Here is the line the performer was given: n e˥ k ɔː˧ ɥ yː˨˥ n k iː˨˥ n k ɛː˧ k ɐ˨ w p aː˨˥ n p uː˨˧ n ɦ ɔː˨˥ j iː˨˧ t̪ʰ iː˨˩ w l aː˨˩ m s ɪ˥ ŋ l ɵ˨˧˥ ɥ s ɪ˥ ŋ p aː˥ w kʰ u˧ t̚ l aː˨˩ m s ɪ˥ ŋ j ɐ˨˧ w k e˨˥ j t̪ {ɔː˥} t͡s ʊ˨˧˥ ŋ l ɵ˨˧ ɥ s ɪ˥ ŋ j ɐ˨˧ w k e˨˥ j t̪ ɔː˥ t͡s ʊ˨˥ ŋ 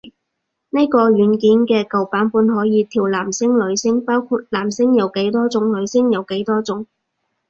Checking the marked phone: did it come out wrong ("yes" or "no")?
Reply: no